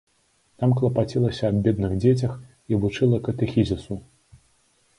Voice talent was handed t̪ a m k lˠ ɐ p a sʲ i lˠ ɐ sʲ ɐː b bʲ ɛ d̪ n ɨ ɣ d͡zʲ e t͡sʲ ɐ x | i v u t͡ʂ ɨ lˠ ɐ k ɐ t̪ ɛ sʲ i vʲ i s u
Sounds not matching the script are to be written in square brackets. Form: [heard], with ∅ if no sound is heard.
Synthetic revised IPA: t̪ a m k lˠ ɐ p a [t͡sʲ] i lˠ ɐ sʲ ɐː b bʲ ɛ d̪ n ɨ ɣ d͡zʲ e t͡sʲ ɐ x | i v u t͡ʂ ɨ lˠ ɐ k ɐ t̪ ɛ [xʲ] i [zʲ] i s u